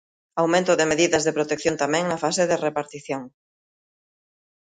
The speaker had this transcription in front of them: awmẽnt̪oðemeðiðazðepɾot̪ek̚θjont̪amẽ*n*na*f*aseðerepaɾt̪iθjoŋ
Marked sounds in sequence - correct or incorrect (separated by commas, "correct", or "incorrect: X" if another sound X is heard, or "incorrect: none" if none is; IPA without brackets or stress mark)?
incorrect: ŋ, correct